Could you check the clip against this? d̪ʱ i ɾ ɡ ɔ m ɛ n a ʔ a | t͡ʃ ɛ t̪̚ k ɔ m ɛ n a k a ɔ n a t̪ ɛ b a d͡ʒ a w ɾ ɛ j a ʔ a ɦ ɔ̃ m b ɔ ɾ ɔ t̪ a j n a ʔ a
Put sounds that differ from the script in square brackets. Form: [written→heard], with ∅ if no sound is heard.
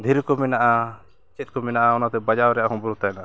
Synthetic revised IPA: d̪ʱ i ɾ [ɡ→k] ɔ m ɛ n a ʔ a | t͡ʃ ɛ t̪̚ k ɔ m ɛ n a [k→ʔ] a ɔ n a t̪ ɛ b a d͡ʒ a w ɾ ɛ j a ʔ a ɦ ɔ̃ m b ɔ ɾ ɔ t̪ a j n a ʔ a